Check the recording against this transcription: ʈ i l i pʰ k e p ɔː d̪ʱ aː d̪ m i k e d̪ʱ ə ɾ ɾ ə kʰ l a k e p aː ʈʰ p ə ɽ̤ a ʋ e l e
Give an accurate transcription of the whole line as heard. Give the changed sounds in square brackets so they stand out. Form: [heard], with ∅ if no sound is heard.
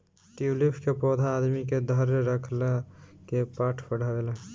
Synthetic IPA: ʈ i l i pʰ k e p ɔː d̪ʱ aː d̪ m i k e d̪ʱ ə ɾ ɾ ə kʰ l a k e p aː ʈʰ p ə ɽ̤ a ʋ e l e